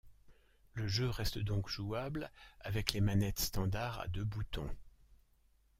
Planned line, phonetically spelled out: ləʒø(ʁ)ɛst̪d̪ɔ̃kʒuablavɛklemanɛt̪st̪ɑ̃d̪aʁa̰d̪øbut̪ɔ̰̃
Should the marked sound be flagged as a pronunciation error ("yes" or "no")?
no